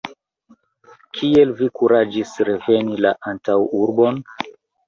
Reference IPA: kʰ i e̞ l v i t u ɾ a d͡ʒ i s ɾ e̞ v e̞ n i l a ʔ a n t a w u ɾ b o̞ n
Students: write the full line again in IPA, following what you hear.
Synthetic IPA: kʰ i e̞ l v i k u ɾ a d͡ʒ i s ɾ e̞ v e̞ n i l a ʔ a n t a w u ɾ b o̞ n